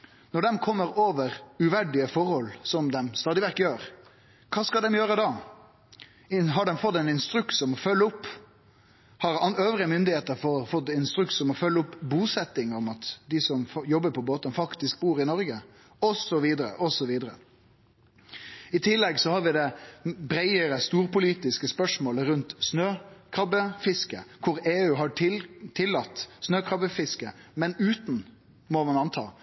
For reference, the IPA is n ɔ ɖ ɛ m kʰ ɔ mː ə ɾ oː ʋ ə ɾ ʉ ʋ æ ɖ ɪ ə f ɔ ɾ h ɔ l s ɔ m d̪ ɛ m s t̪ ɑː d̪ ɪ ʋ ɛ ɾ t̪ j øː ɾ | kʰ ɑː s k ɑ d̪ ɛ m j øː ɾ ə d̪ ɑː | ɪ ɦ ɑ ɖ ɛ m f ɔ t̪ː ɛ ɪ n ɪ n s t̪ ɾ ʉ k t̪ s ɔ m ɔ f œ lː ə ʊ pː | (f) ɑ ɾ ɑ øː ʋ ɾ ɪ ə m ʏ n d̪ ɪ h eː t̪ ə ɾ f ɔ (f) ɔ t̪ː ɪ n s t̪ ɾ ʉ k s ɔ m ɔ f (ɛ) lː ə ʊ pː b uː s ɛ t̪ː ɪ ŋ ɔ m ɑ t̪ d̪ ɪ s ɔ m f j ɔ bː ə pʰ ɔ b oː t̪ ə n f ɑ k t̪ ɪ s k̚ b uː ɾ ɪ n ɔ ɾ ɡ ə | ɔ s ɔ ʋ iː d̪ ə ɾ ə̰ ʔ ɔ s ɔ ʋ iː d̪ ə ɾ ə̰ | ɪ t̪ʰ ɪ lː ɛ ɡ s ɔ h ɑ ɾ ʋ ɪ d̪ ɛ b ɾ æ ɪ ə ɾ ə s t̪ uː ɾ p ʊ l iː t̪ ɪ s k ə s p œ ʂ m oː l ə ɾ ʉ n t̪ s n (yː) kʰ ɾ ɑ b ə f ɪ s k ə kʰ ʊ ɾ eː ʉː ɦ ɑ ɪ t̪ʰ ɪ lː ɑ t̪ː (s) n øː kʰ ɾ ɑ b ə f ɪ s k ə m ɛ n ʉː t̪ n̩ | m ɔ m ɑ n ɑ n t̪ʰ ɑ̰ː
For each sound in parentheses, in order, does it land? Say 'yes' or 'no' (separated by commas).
no, yes, no, no, yes